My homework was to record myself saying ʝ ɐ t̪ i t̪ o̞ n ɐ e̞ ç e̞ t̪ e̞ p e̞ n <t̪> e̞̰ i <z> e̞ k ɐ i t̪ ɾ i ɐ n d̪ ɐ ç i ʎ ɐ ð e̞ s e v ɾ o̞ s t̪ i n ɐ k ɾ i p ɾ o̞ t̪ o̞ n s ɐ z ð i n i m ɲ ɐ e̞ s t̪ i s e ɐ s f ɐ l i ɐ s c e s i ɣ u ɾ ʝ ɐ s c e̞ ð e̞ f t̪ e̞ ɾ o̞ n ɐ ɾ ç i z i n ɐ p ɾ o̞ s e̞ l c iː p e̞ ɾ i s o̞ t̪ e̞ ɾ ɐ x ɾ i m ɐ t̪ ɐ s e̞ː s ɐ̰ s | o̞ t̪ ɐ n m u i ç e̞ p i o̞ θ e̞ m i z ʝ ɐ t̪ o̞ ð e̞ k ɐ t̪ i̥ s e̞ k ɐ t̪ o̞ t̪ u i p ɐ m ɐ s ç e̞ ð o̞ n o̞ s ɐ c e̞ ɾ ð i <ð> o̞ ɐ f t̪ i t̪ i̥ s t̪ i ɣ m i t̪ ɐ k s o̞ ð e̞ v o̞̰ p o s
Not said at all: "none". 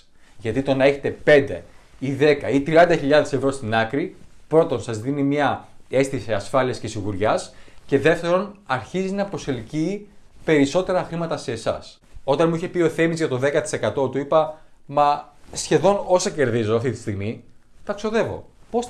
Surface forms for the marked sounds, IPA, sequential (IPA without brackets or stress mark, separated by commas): d̪, ð, z